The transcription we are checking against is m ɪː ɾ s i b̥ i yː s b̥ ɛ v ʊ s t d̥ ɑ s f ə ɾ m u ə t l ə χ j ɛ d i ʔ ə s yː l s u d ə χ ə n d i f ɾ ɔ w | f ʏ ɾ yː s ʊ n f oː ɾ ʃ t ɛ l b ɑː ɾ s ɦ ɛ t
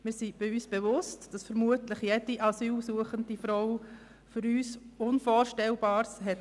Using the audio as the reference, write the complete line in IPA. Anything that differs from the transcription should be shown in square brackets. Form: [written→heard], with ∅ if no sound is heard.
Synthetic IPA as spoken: m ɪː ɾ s i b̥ [i→ɪ] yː s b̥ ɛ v ʊ s t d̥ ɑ s f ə ɾ m u ə t l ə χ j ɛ d i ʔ [ə→ɑ] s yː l s u [d→∅] ə χ ə n d i f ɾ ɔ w | f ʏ ɾ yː s ʊ n f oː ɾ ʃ t ɛ l b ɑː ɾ s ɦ ɛ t